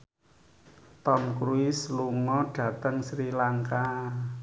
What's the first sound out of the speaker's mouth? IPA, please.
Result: t̪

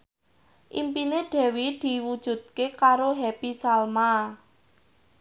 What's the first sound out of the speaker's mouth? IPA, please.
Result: ʔ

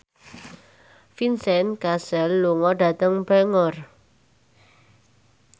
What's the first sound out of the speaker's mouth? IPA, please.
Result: f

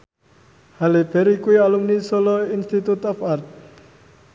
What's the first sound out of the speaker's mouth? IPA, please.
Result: h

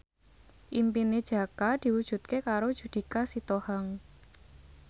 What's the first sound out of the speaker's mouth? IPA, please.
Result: ʔ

